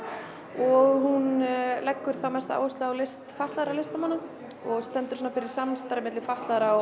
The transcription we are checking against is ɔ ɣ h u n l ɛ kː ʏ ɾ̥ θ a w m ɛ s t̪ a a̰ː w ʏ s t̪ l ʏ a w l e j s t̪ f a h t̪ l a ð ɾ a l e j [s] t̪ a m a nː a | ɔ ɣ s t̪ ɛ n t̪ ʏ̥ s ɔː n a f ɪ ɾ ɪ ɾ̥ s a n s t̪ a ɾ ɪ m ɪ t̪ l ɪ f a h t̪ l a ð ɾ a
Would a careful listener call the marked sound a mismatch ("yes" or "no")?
no